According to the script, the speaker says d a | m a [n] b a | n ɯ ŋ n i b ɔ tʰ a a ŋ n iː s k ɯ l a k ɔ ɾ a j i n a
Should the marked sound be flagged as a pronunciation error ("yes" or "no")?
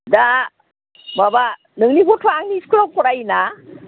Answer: yes